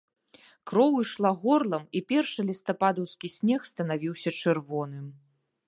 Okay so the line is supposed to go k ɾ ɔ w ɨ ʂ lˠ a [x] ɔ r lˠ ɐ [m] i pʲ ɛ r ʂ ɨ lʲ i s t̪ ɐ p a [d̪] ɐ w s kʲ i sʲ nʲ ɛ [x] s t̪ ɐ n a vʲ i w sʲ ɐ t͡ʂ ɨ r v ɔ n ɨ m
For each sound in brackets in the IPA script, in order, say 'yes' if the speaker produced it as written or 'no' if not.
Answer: no, yes, yes, yes

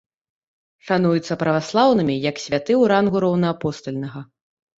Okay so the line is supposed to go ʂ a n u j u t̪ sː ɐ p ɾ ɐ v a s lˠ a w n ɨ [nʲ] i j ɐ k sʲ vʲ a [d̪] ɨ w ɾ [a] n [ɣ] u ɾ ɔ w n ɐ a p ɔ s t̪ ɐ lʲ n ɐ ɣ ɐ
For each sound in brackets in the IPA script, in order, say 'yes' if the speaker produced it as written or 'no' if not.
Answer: no, no, yes, yes

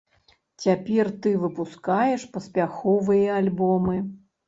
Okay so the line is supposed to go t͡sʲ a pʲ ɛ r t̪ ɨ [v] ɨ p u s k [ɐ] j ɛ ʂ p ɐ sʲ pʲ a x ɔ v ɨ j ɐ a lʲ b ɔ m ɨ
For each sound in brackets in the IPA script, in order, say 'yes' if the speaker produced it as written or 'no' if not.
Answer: yes, no

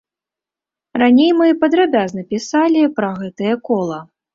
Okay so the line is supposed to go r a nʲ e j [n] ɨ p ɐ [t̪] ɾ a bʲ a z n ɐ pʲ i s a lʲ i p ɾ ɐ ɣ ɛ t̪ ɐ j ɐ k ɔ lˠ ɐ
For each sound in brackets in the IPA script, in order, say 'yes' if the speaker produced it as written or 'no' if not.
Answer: no, no

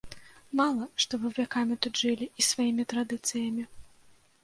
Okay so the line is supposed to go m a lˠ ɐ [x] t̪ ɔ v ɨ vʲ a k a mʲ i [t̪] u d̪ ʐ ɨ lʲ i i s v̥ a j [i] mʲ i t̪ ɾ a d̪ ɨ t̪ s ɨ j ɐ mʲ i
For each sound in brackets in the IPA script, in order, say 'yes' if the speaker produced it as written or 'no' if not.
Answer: no, yes, yes

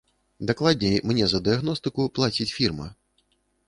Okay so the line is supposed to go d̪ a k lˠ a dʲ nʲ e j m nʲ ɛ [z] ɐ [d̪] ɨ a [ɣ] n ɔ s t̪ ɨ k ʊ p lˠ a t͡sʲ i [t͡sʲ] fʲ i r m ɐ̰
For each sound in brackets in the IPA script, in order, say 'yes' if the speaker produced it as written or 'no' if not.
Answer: yes, yes, yes, yes

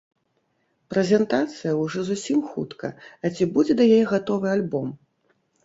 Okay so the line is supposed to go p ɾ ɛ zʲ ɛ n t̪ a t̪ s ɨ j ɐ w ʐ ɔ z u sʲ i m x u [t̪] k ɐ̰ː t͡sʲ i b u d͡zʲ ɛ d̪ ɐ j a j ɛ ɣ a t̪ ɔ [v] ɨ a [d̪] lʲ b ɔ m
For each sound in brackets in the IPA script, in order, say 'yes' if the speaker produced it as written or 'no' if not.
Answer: yes, yes, no

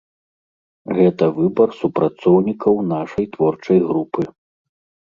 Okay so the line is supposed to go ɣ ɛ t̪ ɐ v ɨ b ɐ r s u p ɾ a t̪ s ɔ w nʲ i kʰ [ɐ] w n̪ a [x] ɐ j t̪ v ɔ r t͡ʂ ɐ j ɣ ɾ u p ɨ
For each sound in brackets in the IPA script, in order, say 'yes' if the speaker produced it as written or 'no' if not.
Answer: yes, no

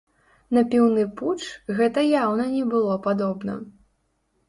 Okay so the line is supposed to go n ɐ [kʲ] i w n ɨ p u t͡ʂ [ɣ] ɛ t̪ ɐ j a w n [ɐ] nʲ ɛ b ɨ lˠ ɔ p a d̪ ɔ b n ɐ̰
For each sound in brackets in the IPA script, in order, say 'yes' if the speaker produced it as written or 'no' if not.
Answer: no, yes, yes

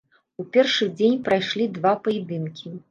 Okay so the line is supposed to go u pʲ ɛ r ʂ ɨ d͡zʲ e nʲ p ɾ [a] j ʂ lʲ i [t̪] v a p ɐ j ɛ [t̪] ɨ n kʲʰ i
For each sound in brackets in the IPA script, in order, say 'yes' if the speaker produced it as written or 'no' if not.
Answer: yes, no, no

